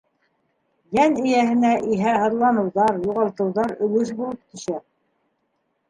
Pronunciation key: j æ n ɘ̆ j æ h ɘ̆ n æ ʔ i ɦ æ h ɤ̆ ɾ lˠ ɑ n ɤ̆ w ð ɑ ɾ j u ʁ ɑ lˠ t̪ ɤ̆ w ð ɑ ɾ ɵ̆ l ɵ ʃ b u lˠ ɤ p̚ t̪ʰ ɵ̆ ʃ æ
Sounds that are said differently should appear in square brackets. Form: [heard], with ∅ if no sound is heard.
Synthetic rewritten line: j æ n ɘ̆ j æ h ɘ̆ n æ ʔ i ɦ æ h ɤ̆ ɾ lˠ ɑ n ɤ̆ w ð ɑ ɾ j u ʁ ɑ lˠ t̪ ɤ̆ w ð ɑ ɾ ɵ̆ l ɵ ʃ b u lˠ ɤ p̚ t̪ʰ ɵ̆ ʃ æ